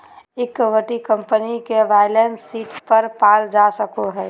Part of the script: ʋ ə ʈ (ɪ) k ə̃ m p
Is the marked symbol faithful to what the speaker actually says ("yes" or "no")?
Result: no